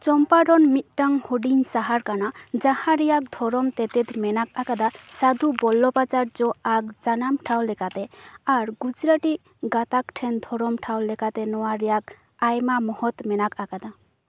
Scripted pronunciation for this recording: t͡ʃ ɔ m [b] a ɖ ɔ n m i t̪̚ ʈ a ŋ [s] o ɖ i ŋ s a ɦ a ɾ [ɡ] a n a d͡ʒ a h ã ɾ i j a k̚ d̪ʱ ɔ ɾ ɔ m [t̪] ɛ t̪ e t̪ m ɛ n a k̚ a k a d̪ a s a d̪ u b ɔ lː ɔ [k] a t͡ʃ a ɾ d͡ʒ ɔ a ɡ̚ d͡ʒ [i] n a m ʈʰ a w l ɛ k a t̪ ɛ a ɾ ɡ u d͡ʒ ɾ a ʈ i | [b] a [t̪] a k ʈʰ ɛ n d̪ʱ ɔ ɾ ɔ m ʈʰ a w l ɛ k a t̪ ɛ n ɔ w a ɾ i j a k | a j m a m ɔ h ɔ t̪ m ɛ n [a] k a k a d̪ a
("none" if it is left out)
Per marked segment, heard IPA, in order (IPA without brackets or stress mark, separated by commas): p, h, k, t̪, p, a, ɡ, t̪, a